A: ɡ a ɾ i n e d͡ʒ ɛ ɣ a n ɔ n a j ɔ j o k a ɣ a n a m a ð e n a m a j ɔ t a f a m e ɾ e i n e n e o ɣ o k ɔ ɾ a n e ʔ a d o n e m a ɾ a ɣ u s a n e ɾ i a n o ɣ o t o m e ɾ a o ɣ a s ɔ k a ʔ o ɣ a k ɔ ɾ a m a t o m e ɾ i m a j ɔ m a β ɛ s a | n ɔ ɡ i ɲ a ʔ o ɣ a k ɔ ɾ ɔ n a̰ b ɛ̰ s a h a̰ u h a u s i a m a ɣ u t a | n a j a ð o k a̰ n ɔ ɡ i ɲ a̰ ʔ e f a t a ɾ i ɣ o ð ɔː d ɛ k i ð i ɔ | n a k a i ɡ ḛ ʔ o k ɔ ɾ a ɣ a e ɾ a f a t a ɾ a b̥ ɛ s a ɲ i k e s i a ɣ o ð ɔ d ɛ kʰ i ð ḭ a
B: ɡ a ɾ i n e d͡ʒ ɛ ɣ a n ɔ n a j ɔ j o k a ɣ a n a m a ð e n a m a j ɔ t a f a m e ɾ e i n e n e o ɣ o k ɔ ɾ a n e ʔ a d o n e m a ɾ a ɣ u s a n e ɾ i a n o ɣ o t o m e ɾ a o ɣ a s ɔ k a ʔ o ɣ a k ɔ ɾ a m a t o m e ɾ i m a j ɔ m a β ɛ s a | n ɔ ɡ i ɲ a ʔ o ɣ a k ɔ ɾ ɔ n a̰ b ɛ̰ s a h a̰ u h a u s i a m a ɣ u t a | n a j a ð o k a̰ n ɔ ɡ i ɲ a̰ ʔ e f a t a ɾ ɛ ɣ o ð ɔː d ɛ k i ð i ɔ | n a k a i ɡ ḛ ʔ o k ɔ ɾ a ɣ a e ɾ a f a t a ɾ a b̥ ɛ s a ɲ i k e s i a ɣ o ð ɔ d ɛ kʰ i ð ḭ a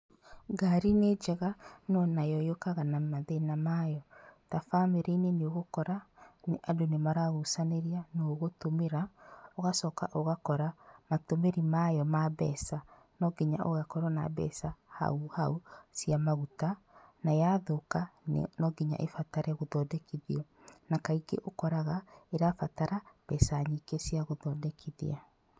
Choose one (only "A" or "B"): B